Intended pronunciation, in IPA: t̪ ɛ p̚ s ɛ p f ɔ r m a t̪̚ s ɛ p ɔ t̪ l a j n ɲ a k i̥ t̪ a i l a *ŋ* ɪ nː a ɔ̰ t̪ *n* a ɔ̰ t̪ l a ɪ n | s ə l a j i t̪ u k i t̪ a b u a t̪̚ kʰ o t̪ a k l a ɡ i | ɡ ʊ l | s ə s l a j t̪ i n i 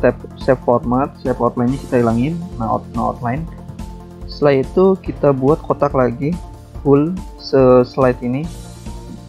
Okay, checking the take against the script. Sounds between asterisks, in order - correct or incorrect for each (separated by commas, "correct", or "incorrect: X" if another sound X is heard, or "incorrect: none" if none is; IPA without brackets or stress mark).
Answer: correct, correct